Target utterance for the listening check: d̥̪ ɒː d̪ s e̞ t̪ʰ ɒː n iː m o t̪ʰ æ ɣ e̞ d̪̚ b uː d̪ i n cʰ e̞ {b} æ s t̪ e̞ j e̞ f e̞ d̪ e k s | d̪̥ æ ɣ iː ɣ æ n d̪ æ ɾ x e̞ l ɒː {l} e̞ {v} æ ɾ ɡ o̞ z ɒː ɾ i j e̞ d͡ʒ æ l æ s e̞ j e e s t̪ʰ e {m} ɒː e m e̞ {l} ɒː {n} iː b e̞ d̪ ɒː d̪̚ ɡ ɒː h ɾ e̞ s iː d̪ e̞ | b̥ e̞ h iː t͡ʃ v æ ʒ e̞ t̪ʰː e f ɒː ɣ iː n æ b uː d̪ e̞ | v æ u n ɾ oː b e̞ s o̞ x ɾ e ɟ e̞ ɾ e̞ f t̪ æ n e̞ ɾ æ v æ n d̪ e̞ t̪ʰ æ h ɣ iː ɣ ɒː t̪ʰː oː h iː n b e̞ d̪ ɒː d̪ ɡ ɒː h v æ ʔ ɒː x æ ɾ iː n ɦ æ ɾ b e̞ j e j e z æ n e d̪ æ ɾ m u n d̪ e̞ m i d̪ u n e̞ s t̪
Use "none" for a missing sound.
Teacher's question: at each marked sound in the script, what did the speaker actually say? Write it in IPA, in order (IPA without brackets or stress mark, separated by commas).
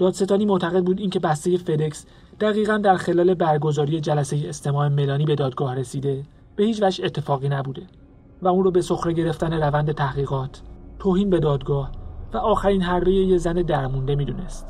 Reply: b, l, b, m, l, n